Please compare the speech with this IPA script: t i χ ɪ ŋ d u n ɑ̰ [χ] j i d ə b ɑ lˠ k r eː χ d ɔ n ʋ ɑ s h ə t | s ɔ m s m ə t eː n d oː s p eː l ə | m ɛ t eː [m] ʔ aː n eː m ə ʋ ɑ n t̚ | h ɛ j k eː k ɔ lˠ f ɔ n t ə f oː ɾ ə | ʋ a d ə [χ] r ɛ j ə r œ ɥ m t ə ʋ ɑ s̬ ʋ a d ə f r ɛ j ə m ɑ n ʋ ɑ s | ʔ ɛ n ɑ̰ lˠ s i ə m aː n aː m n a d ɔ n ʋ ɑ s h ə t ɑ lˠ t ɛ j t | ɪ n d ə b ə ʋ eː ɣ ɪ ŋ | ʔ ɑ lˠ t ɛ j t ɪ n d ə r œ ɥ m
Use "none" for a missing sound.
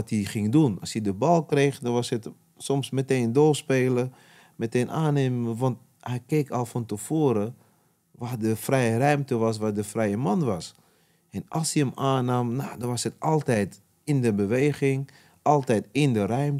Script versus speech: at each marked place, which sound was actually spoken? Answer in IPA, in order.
s, n, f

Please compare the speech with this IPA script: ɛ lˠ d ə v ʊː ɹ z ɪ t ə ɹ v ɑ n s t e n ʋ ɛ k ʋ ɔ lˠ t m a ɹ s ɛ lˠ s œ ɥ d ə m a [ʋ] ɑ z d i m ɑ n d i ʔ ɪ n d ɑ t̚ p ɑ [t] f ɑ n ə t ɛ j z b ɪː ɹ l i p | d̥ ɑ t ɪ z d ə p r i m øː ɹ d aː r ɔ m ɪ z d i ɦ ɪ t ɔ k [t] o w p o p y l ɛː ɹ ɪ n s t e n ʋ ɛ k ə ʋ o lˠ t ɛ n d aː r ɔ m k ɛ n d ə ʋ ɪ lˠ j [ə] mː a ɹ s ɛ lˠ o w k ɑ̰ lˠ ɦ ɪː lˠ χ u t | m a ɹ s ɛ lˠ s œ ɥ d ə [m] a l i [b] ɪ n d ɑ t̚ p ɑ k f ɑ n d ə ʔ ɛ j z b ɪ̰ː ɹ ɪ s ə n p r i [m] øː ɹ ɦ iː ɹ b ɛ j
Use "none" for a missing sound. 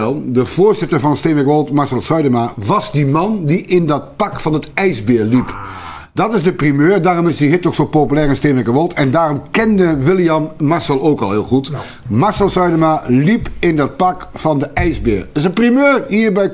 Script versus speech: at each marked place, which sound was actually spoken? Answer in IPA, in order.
ʋ, k, s, ɑ, m, p, m

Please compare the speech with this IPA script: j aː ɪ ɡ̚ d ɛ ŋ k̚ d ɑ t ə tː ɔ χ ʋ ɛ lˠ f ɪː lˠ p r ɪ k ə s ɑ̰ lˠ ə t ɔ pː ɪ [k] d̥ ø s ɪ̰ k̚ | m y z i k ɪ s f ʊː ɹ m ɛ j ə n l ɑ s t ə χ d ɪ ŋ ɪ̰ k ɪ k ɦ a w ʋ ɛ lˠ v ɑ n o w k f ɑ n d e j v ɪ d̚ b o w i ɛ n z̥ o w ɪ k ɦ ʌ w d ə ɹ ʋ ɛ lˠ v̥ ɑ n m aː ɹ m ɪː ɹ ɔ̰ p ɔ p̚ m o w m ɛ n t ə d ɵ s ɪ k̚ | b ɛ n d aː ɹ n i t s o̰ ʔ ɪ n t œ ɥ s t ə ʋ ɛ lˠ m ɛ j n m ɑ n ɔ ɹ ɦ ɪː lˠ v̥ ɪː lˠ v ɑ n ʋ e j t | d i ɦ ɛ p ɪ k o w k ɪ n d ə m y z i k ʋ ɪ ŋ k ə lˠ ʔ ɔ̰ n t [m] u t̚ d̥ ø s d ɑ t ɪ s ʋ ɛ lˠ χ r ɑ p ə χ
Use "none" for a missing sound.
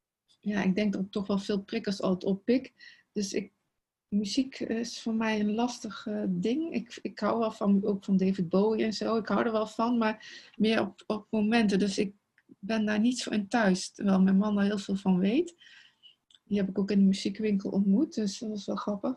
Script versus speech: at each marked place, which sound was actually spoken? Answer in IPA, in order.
k, m

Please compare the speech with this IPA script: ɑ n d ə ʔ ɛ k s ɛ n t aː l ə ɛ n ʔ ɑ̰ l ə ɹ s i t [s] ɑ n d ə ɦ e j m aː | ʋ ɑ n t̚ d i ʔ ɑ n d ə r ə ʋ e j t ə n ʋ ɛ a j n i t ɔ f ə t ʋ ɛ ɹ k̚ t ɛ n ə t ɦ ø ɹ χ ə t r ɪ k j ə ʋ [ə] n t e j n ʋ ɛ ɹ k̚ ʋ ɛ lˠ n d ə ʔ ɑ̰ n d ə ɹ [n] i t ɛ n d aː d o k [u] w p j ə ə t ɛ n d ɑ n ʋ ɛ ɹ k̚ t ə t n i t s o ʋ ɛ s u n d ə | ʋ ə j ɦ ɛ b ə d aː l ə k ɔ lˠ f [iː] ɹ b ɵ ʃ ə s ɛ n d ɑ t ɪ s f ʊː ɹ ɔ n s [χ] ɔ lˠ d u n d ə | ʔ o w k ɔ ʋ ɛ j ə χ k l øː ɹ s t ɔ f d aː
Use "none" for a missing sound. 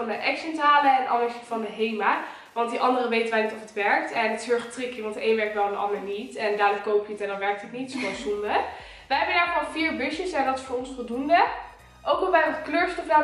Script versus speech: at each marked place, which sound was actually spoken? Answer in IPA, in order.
f, ɑ, n, o, iː, f

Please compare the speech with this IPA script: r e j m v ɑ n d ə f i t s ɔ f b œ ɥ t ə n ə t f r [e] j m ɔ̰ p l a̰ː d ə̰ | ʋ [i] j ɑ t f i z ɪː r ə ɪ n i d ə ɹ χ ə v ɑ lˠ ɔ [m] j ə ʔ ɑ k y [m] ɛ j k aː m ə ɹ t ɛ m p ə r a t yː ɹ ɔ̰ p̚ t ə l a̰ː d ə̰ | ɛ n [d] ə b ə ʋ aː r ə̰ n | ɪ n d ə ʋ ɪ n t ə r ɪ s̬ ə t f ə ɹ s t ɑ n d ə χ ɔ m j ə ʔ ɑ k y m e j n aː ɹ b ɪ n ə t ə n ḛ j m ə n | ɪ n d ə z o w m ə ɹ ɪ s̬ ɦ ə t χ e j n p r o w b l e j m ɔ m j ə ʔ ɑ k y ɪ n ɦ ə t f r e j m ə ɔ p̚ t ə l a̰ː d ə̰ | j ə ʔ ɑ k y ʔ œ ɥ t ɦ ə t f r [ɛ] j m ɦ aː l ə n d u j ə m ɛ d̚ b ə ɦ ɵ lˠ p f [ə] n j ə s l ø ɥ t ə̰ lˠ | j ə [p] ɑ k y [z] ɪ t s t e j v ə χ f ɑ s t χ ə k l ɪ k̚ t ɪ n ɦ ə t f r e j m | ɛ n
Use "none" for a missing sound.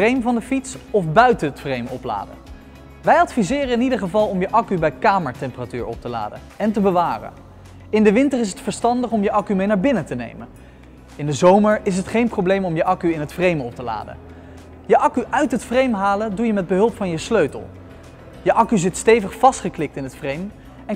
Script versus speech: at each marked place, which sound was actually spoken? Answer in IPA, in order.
e, ɛ, m, b, t, e, ɑ, ʔ, z

